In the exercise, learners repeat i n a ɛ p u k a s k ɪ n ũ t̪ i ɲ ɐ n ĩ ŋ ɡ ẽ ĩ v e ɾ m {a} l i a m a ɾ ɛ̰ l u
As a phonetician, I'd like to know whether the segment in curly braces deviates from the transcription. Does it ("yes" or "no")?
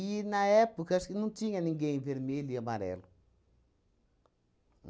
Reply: yes